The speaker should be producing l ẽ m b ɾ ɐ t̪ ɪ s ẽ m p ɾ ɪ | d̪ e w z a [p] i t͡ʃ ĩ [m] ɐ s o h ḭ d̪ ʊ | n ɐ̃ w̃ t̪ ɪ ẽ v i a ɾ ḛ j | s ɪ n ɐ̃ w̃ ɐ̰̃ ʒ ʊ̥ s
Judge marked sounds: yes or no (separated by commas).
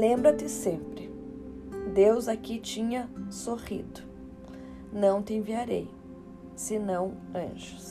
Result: no, no